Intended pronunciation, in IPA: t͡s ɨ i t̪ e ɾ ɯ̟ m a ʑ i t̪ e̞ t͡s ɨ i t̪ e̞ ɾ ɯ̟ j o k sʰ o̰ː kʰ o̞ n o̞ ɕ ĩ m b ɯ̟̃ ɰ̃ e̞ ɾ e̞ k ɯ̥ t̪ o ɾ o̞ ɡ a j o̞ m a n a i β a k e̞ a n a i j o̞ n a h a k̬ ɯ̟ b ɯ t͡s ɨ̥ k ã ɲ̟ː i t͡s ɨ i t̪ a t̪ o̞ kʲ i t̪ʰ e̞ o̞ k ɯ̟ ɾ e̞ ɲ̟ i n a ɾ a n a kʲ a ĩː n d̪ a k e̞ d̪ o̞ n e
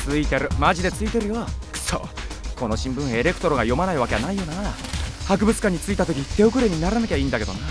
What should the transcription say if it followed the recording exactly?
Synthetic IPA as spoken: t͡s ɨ i t̪ e ɾ ɯ̟ m a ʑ i d̪ e̞ t͡s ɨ i t̪ e̞ ɾ ɯ̟ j o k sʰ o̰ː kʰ o̞ n o̞ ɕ ĩ m b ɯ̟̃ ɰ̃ e̞ ɾ e̞ k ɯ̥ t̪ o ɾ o̞ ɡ a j o̞ m a n a i β a k e̞ a n a i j o̞ n a h a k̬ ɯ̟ b ɯ t͡s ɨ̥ k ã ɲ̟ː i t͡s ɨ i t̪ a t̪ o̞ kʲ i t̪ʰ e̞ o̞ k ɯ̟ ɾ e̞ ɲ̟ i n a ɾ a n a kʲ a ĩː n d̪ a k e̞ d̪ o̞ n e